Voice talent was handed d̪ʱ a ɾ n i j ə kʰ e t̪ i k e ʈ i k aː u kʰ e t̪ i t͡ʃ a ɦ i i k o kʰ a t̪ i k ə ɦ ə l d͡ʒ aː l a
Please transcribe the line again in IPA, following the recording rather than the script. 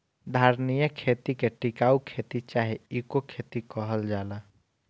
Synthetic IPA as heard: d̪ʱ a ɾ n i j ə kʰ e t̪ i k e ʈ i k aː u kʰ e t̪ i t͡ʃ a ɦ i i k o kʰ e t̪ i k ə ɦ ə l d͡ʒ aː l a